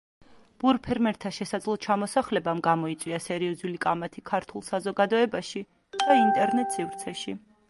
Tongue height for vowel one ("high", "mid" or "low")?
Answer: high